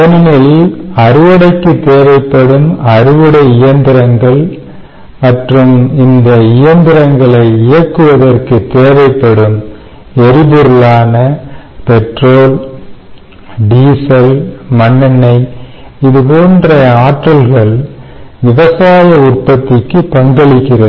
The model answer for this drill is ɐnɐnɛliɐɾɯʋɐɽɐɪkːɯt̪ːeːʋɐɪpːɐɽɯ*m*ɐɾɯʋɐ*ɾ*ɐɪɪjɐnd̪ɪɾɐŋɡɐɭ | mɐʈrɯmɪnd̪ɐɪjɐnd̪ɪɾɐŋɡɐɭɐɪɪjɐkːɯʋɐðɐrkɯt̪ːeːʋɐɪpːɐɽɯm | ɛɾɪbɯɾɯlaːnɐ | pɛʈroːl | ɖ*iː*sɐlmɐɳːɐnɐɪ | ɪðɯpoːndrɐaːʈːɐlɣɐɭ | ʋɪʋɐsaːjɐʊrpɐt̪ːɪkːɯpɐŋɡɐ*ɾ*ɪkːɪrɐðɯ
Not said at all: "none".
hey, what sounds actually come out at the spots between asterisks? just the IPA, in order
m, ɽ, iː, ɭ

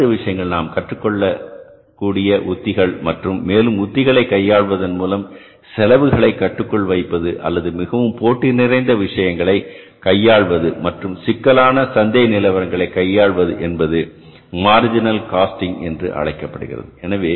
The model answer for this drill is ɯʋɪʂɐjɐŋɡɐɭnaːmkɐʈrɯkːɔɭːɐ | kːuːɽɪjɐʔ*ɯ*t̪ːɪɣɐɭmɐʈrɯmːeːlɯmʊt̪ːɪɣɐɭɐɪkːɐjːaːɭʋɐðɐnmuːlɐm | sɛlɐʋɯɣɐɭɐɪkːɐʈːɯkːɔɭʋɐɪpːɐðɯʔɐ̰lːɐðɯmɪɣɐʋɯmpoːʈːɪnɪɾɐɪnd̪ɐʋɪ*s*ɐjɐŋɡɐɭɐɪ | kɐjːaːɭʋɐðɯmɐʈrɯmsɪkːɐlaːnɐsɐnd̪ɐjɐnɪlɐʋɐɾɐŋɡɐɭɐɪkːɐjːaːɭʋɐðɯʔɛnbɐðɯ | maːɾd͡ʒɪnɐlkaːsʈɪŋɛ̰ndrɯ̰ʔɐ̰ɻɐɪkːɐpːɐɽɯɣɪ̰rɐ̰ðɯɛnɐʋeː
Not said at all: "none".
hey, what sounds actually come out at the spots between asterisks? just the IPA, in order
ʊ, ʂ

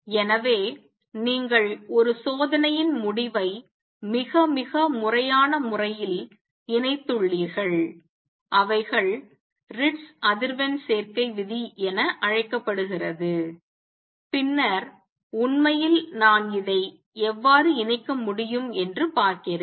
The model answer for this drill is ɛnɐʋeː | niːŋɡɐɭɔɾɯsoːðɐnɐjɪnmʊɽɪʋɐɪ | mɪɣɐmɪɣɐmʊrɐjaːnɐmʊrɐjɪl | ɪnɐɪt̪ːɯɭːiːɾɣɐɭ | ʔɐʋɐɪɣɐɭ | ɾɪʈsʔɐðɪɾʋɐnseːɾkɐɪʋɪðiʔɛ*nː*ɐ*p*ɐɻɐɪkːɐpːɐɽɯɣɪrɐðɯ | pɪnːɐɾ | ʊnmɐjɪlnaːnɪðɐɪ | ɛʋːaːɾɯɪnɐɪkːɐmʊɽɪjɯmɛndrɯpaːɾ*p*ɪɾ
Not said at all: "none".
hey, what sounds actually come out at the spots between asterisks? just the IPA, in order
n, ʔ, k

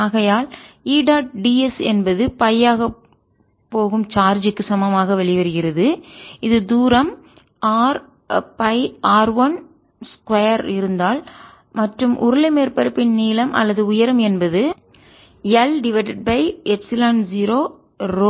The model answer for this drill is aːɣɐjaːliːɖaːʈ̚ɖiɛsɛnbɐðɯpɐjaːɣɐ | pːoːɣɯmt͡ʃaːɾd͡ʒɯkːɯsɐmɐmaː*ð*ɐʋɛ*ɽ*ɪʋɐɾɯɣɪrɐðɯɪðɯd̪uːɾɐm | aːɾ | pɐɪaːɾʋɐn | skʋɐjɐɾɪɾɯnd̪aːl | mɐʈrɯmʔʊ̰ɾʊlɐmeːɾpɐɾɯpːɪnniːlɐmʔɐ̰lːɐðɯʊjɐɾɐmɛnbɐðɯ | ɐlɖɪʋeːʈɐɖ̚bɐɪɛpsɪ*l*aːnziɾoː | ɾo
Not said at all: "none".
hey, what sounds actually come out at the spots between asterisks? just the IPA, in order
ɣ, ɭ, l

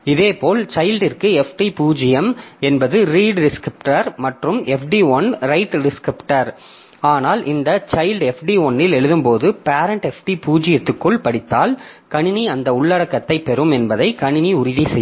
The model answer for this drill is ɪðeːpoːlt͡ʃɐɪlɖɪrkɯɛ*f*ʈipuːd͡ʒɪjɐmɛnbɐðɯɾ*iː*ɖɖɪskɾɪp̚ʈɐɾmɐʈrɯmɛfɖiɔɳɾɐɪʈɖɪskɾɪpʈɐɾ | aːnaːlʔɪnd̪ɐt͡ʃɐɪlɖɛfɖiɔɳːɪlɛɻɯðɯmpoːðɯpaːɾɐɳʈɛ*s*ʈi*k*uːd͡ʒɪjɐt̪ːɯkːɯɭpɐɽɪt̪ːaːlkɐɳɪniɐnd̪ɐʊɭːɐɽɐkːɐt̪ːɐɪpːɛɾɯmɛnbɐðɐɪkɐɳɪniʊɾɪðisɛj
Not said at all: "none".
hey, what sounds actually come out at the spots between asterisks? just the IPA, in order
f, iː, f, p

